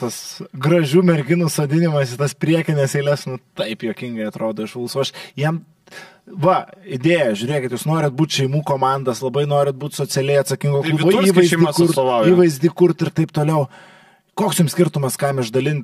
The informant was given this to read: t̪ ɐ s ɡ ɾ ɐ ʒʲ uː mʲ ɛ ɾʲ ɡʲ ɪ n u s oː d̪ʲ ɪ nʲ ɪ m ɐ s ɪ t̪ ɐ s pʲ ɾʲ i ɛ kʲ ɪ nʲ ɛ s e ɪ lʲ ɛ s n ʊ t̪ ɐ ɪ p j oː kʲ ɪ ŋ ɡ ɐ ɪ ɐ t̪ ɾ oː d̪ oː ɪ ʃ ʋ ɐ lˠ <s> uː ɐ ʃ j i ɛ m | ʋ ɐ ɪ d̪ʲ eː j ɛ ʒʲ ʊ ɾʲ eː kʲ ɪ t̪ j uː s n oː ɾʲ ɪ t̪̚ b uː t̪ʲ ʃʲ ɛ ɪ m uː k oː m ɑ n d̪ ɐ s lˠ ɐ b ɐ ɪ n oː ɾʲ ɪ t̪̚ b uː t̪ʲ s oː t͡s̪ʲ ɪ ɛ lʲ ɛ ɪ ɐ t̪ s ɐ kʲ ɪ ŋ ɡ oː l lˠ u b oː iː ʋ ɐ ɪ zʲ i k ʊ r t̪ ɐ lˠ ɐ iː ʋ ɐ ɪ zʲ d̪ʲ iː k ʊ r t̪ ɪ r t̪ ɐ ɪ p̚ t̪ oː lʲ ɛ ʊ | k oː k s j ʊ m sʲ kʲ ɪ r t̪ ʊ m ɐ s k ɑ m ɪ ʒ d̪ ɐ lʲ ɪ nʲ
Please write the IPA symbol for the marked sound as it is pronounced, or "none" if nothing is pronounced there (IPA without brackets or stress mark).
s